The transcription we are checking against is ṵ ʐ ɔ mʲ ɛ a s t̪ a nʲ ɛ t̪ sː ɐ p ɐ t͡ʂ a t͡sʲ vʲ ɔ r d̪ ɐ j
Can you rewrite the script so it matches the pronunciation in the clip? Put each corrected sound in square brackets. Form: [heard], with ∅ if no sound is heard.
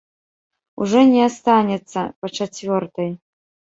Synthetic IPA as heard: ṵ ʐ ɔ [nʲ] ɛ a s t̪ a nʲ ɛ t̪ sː ɐ p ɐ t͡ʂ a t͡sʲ vʲ ɔ r [t̪] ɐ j